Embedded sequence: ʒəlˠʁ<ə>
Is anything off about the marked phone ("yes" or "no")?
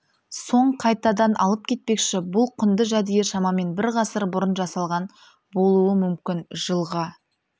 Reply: yes